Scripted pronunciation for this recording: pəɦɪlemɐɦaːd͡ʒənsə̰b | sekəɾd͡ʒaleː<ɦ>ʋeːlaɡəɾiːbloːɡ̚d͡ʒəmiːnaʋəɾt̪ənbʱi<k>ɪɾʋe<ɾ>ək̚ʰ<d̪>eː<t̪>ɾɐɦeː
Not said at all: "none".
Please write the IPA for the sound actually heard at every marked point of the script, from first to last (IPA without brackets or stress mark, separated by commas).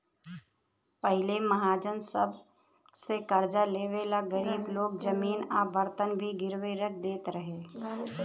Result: none, ɡ, ɾ, d̪, t̪